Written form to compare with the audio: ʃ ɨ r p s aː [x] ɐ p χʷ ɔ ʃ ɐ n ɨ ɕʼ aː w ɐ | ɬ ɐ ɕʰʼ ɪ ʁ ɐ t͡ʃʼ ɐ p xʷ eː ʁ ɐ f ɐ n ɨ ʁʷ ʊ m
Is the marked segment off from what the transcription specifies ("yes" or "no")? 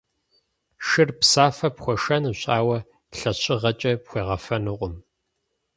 yes